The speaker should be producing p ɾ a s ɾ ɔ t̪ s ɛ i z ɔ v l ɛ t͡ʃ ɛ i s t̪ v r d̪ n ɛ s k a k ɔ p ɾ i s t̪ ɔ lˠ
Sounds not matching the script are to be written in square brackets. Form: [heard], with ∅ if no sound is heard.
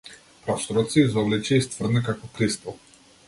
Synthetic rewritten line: p ɾ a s ɾ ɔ t̪ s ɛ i z ɔ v l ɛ t͡ʃ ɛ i s t̪ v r d̪ n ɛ [∅] k a k ɔ p ɾ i s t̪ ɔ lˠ